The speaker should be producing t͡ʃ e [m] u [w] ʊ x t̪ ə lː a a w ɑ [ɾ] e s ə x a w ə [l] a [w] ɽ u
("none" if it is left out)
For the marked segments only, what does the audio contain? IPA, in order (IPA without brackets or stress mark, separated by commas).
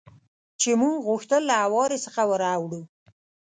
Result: m, ɣ, ɾ, ɾ, w